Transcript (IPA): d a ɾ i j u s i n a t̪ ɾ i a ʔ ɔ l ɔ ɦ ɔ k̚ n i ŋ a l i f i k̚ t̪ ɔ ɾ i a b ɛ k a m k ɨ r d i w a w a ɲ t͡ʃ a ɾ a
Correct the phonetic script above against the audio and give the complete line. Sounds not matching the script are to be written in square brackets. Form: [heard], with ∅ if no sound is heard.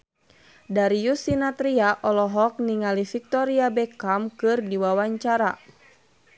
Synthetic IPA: d a ɾ i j u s i n a t̪ ɾ i a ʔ ɔ l ɔ ɦ ɔ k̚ n i ŋ a l i f i k̚ t̪ ɔ ɾ i a b ɛ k a m k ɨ r d i w a w a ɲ t͡ʃ a ɾ a